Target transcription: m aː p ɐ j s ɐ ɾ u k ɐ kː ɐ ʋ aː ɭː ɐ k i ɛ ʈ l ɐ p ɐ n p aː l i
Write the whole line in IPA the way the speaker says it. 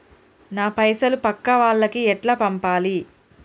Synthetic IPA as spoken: n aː p ɐ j s ɐ l u p ɐ kː ɐ ʋ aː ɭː ɐ k i ɛ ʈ l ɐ p ɐ m p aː l i